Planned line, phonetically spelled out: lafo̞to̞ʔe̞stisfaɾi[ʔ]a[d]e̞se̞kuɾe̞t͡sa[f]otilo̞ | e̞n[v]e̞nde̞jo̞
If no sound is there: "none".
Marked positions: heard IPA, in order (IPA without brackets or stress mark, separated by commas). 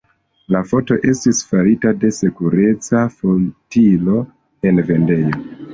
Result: t, d, f, v